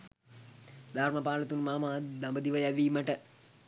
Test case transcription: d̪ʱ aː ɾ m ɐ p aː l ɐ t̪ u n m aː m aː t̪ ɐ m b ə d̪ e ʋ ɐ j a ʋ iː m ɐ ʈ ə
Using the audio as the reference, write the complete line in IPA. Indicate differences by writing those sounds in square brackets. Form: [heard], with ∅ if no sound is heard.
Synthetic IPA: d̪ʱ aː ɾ m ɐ p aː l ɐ t̪ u n m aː m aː [d̪] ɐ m b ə d̪ [i] ʋ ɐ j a ʋ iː m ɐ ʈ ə